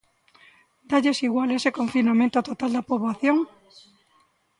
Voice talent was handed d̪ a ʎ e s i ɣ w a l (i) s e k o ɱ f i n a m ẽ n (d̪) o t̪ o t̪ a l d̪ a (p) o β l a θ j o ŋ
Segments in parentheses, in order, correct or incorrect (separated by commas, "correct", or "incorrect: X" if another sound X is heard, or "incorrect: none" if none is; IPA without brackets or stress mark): incorrect: e, incorrect: t̪, correct